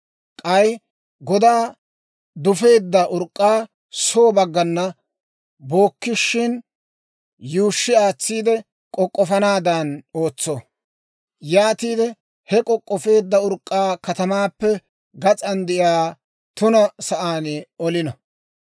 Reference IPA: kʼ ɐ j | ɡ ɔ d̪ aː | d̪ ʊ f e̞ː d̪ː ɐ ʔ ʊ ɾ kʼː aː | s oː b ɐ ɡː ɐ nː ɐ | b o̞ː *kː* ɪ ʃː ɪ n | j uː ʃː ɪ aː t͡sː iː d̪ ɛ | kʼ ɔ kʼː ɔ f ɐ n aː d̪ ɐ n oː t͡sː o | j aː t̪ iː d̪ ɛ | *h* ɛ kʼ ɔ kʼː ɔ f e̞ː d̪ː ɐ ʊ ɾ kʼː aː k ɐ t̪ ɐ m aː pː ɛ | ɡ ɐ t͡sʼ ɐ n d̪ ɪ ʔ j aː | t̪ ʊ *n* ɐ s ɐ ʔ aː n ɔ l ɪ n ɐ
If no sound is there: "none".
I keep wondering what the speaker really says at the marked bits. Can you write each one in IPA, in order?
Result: kː, h, n

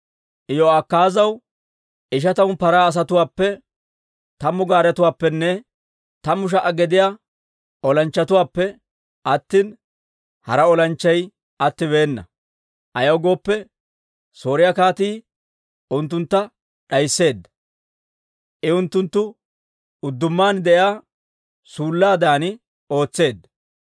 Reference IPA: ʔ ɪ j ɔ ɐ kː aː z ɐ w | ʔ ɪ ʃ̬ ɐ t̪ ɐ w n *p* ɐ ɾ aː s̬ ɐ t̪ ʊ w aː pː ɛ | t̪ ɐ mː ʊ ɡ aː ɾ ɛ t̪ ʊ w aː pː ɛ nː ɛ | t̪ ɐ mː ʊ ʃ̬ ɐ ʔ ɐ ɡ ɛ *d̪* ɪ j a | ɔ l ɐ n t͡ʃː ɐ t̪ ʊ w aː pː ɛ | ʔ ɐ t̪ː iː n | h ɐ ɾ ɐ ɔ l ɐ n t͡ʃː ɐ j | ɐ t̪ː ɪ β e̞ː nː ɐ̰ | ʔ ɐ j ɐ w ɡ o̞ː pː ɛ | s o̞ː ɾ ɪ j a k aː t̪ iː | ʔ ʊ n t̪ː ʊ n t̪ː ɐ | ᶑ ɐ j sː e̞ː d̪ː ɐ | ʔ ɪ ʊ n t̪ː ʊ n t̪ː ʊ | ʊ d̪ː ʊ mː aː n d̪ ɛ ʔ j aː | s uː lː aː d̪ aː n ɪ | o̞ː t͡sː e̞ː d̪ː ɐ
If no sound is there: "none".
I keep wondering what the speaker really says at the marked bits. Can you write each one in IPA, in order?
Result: p, d̪

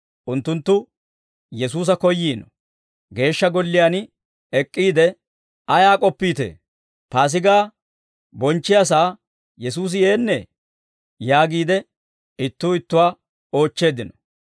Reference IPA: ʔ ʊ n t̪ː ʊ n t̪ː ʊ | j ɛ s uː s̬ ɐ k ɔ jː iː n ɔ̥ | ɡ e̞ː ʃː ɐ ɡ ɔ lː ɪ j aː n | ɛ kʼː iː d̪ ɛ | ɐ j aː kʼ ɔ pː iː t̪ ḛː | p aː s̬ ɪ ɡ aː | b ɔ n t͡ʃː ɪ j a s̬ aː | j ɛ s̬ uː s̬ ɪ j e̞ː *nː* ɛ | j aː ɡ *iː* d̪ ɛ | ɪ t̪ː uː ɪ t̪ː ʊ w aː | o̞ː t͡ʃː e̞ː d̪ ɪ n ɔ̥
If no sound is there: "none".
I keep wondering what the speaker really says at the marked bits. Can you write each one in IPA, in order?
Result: nː, iː

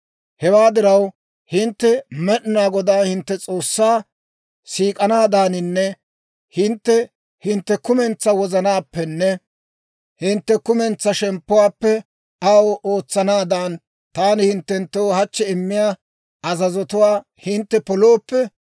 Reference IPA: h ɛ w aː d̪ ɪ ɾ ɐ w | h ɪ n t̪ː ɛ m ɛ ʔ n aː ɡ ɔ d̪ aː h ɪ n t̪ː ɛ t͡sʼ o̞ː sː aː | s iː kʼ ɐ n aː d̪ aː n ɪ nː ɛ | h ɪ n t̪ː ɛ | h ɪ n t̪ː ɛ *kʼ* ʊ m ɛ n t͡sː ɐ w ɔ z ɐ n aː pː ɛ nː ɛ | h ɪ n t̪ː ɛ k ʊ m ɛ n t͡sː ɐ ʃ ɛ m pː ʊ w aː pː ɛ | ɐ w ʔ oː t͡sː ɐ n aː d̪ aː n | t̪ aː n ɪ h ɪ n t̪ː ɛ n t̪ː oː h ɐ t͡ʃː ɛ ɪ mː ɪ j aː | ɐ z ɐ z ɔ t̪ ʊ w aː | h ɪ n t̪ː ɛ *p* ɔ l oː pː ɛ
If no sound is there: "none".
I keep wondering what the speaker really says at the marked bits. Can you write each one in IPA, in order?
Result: k, p

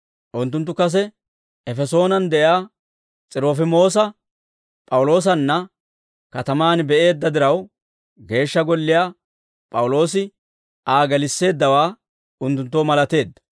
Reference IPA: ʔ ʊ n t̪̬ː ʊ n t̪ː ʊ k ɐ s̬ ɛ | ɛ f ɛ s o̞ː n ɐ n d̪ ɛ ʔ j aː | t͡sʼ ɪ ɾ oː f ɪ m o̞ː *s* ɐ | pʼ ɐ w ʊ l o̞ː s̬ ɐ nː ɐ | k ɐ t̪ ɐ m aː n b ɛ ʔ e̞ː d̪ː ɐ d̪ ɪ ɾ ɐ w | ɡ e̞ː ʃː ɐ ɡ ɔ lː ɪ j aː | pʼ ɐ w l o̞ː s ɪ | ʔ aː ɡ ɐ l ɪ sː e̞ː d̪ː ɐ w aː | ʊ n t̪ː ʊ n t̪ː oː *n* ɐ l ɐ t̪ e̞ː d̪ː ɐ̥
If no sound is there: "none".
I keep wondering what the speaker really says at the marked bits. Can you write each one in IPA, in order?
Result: s, m

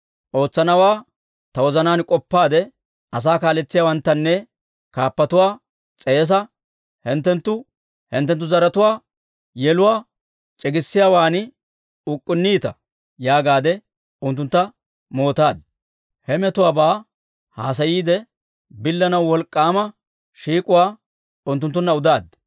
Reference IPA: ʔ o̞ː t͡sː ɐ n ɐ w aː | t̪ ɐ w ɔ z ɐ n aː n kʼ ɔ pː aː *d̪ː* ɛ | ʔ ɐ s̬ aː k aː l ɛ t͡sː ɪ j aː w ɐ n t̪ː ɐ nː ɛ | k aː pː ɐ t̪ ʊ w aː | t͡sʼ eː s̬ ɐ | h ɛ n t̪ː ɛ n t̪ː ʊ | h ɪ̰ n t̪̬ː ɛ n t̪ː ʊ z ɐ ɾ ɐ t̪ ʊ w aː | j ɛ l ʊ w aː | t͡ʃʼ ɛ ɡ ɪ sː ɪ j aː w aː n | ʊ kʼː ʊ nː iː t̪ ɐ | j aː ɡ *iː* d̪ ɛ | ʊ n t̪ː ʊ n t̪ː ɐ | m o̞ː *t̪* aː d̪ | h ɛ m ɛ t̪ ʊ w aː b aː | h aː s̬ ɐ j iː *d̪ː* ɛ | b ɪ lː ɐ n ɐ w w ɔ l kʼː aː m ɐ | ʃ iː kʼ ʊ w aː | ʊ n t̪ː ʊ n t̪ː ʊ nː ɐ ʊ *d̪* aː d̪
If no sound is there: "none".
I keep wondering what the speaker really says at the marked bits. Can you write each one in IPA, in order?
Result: d̪, aː, t̪, d̪, d̪

